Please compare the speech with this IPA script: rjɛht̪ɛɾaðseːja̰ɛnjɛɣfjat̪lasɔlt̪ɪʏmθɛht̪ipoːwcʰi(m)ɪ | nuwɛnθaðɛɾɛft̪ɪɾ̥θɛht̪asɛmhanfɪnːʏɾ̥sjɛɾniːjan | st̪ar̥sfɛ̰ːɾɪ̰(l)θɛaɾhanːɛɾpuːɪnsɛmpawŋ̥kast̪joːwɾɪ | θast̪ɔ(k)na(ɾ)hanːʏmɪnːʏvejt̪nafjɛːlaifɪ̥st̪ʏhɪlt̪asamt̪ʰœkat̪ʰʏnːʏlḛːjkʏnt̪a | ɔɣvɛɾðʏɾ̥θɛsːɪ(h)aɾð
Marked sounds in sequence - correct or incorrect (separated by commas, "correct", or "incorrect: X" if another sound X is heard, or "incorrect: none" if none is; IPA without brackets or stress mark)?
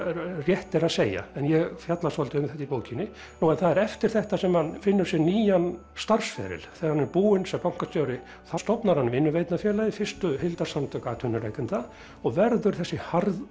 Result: incorrect: n, correct, incorrect: p, correct, correct